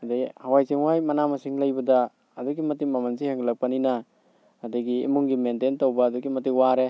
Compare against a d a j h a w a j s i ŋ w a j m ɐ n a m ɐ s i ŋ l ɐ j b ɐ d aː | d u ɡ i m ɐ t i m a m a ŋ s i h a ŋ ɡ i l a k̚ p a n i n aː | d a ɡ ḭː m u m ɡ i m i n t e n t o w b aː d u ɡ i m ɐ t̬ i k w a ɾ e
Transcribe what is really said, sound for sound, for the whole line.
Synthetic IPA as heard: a d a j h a w a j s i ŋ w a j m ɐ n a m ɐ s i ŋ l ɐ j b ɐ d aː | d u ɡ i m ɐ t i m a m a n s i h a ŋ ɡ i l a k̚ p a n i n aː | d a ɡ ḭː m u ŋ ɡ i m e n t e n t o w b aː d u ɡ i m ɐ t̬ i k w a ɾ e